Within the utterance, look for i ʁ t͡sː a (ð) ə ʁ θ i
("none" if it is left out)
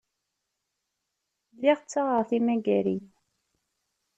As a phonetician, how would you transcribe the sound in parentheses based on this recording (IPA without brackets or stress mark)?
ʁ